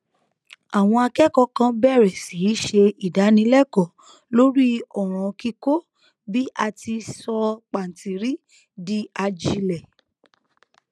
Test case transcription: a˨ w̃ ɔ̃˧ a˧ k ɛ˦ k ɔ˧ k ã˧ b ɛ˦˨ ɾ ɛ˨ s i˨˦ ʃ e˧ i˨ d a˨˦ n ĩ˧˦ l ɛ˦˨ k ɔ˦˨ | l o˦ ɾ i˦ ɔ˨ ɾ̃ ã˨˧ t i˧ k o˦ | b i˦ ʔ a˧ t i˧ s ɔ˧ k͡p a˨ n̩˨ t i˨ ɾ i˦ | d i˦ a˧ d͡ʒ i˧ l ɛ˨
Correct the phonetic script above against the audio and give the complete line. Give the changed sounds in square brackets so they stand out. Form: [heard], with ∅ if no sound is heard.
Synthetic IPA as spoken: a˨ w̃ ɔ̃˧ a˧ k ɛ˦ k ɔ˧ k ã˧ b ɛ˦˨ ɾ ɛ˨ s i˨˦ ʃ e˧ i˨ d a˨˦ n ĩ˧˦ l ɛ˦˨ k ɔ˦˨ | l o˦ ɾ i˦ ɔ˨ ɾ̃ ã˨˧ [k] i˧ k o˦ | b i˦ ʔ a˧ t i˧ s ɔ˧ k͡p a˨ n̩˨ t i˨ ɾ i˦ | d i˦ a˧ d͡ʒ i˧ l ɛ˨